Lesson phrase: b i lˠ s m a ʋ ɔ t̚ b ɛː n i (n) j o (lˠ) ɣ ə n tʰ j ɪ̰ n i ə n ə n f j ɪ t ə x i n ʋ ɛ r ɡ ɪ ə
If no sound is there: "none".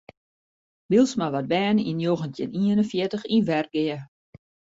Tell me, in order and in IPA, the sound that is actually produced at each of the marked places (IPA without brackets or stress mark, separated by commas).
n, none